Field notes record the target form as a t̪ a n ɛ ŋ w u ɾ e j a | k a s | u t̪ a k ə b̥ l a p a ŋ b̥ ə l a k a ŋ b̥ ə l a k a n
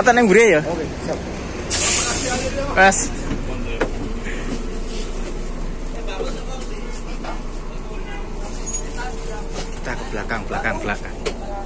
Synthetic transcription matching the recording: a t̪ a n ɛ ŋ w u ɾ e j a | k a s | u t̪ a k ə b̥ l a k a ŋ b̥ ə l a k a ŋ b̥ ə l a k a ŋ